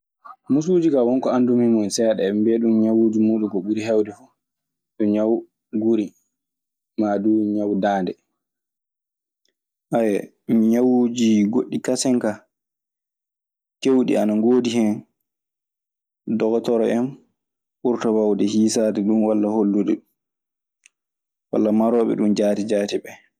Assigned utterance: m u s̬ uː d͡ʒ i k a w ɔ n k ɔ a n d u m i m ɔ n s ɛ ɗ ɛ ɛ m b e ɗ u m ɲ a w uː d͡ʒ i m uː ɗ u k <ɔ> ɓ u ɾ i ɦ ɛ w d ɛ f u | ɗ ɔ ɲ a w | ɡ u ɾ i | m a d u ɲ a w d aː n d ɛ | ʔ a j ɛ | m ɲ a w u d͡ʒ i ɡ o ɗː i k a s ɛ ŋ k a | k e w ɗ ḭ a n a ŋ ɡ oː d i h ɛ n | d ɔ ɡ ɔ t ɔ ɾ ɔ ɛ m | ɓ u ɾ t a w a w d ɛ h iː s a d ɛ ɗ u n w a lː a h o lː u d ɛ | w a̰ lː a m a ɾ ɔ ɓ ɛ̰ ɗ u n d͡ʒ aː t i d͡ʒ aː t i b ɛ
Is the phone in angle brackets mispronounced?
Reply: no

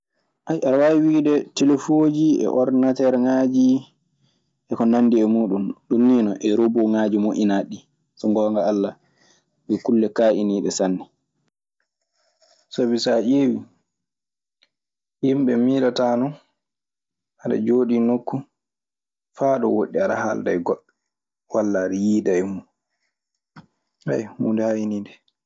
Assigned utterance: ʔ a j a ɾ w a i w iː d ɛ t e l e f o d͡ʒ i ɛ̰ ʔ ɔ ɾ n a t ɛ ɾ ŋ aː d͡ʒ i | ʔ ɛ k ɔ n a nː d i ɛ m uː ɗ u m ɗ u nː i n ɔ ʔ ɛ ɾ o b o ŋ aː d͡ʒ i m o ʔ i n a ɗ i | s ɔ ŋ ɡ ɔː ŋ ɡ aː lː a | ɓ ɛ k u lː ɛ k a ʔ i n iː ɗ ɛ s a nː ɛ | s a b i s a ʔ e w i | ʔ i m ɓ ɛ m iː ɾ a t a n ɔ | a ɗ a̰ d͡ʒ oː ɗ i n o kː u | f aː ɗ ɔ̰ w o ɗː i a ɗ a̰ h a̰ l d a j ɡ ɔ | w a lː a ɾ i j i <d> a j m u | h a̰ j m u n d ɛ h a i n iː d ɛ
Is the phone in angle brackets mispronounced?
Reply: no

